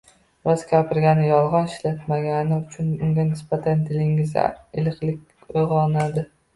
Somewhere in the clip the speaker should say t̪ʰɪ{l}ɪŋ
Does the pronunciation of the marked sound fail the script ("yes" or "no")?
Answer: no